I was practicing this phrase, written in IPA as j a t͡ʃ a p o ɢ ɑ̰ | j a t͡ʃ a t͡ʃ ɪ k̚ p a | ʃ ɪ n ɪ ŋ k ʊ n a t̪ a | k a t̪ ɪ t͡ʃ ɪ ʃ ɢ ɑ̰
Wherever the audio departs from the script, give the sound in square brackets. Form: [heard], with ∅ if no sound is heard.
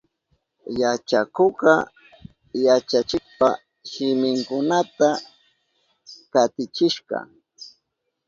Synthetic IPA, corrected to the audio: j a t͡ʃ a [k] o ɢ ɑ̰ | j a t͡ʃ a t͡ʃ ɪ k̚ p a | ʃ ɪ [m] ɪ ŋ k ʊ n a t̪ a | k a t̪ ɪ t͡ʃ ɪ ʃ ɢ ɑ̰